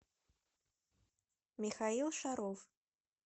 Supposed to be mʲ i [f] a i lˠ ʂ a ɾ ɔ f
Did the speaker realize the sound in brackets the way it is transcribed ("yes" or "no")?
no